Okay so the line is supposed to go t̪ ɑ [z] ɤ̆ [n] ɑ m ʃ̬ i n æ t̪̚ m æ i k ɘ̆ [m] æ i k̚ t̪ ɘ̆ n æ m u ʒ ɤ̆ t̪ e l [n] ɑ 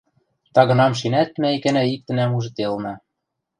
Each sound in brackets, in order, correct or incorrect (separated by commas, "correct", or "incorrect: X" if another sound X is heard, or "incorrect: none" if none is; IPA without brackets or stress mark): incorrect: ɣ, correct, incorrect: n, correct